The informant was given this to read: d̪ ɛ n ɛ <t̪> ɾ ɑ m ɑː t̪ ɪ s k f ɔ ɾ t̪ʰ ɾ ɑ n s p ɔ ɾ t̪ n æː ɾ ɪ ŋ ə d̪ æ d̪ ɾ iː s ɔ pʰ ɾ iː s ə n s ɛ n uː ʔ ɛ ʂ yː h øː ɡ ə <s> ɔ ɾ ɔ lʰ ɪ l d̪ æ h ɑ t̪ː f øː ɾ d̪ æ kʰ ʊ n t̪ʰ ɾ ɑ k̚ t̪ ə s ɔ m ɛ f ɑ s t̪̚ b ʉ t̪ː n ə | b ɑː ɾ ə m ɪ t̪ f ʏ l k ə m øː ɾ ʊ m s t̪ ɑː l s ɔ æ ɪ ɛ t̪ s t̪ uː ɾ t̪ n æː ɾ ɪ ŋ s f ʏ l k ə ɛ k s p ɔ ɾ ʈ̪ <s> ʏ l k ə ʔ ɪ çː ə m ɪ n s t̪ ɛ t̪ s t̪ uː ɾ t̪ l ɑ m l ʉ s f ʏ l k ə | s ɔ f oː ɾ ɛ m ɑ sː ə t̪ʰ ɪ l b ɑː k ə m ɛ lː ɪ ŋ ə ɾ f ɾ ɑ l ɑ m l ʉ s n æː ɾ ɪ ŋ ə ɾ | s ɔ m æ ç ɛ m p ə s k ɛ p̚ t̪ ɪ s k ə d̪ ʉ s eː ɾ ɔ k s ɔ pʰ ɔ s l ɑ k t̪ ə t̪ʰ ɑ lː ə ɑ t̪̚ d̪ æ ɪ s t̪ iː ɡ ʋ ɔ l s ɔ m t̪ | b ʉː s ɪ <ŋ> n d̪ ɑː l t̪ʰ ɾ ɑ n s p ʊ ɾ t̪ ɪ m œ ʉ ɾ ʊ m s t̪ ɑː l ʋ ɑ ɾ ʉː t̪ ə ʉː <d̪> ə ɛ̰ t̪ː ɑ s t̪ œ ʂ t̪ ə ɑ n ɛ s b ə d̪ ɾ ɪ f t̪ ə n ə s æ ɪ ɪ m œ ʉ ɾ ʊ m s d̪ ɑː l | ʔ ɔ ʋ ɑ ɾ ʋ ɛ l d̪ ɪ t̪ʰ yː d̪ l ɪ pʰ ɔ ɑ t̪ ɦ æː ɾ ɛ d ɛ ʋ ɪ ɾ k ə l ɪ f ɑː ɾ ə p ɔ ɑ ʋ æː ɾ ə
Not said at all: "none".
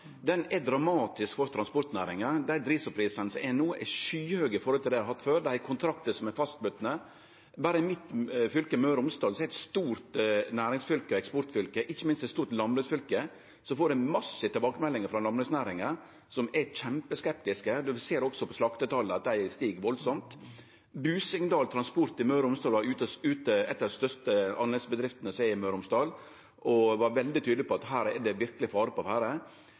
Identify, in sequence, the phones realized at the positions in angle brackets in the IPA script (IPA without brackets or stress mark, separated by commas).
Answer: d̪, f, f, ŋ, t̪